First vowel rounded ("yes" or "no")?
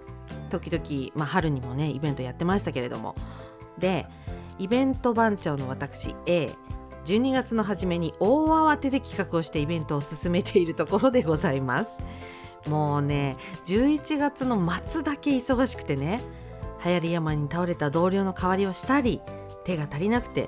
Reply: yes